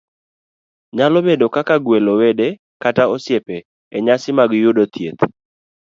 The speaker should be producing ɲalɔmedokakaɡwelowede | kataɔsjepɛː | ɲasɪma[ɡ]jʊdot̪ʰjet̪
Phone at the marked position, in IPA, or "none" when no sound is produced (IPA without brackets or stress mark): ɡ